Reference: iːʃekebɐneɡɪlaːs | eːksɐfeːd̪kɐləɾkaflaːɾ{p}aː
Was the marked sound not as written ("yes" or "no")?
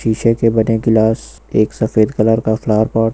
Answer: no